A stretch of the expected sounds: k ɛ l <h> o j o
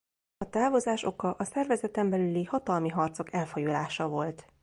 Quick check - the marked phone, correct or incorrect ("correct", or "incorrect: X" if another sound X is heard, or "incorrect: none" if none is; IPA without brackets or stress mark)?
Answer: incorrect: f